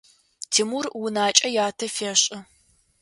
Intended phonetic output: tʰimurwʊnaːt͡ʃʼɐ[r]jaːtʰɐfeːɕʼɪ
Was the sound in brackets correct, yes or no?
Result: no